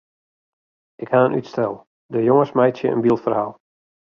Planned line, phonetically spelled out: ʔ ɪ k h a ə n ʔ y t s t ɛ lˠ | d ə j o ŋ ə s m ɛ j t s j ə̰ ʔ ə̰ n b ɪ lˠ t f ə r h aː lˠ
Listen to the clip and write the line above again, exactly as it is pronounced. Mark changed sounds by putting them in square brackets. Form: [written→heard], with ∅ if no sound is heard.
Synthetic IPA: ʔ ɪ k h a ə n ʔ y t s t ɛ lˠ | d ə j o ŋ ə s m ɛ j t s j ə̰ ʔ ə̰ n b [ɪ→i] lˠ t f ə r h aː lˠ